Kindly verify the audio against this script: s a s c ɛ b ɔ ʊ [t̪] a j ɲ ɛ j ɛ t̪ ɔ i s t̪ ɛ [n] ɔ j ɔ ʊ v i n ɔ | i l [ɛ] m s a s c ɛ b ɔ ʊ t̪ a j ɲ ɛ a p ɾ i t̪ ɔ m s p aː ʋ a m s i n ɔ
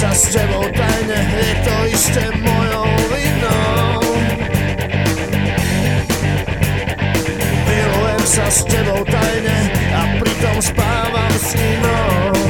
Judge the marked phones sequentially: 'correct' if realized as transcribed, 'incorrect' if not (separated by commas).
correct, incorrect, correct